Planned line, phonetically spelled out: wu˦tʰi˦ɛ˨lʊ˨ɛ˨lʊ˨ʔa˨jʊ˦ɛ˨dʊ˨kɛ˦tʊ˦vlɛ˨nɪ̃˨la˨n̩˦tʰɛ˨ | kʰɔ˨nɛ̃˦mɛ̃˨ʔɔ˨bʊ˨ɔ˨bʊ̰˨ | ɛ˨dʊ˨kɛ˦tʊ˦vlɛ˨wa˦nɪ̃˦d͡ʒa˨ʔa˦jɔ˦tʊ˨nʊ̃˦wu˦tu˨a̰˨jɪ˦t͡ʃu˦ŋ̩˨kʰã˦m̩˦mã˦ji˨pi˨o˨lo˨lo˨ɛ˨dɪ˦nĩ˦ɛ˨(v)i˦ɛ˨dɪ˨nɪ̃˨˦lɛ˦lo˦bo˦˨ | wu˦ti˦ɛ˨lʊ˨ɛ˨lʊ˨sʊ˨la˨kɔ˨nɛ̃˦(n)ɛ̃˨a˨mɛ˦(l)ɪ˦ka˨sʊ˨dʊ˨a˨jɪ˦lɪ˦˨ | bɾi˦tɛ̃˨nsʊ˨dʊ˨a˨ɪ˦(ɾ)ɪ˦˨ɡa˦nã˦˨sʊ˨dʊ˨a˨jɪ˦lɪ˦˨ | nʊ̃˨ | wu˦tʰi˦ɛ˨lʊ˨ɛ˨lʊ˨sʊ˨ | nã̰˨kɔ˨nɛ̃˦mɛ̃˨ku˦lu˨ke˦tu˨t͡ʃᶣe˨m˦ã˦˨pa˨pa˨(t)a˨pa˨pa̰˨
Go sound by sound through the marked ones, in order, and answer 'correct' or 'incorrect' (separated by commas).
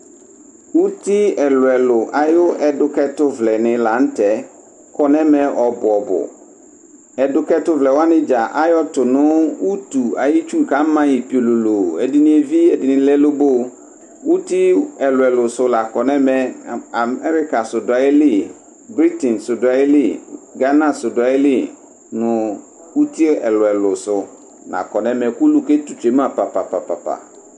correct, incorrect, incorrect, incorrect, incorrect